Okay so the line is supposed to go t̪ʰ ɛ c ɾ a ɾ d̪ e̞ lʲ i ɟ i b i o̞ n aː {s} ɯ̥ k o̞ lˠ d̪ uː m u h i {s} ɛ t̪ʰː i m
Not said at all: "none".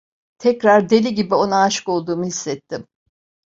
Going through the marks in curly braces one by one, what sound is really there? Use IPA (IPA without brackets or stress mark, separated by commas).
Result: ʃ, sː